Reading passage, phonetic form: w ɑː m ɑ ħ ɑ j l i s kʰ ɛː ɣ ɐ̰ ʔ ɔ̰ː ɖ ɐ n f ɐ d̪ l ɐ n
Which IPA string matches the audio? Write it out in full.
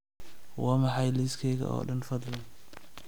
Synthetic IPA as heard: w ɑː m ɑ ħ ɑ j l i s kʰ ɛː ɣ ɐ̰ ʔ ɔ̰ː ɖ ɐ n f ɐ d̪ l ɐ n